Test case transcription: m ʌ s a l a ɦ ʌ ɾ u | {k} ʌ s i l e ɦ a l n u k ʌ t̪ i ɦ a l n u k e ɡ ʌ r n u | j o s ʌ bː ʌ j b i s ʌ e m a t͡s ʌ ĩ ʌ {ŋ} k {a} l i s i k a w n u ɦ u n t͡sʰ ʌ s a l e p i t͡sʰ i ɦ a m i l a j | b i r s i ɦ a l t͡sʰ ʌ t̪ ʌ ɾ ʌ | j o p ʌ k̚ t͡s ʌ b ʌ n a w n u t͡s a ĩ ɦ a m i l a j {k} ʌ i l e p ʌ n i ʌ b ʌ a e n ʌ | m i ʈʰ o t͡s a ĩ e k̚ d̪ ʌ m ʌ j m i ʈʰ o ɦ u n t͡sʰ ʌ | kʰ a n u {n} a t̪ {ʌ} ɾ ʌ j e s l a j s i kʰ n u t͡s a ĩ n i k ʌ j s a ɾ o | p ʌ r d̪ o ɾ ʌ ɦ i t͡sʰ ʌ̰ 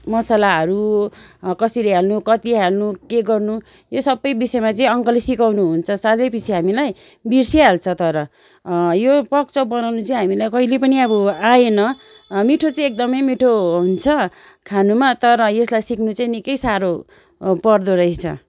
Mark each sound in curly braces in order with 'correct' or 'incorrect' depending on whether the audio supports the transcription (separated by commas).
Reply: correct, correct, incorrect, correct, incorrect, correct